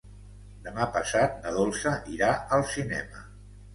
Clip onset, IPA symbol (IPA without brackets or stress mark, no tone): d̪